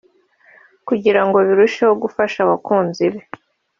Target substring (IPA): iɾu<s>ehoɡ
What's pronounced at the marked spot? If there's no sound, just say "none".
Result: ʃ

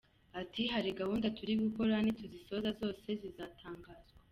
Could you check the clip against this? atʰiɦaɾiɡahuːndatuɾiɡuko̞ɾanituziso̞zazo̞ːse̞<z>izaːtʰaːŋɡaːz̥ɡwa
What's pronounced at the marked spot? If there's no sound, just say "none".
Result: z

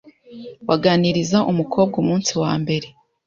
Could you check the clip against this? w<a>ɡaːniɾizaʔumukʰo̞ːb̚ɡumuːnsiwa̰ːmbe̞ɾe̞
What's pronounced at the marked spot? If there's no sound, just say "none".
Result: a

